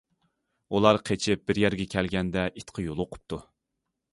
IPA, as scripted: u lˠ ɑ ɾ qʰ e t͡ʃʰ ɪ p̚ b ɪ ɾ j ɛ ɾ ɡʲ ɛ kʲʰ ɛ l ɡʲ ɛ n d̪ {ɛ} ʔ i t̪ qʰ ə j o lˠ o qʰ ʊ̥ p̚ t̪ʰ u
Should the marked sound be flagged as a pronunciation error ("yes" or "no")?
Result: no